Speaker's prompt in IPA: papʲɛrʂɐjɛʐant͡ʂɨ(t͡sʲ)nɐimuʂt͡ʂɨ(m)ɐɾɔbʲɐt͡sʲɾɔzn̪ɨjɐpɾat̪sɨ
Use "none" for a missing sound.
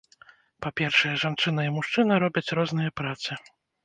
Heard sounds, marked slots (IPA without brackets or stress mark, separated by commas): none, n